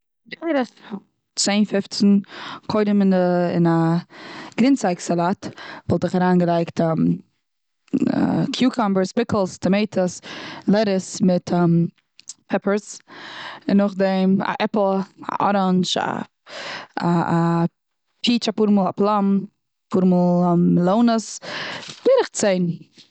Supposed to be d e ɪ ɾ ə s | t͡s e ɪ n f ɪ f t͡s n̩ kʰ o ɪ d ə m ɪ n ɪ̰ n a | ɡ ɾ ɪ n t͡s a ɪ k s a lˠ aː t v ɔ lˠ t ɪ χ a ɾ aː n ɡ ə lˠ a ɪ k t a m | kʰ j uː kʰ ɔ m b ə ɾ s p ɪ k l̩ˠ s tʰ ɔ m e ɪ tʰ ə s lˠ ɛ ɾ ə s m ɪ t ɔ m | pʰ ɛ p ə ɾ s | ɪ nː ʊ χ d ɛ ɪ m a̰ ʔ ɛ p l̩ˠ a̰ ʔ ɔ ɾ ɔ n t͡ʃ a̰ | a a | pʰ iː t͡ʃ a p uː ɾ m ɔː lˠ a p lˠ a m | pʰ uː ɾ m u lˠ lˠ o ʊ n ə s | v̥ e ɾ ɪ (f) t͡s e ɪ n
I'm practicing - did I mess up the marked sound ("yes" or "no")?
yes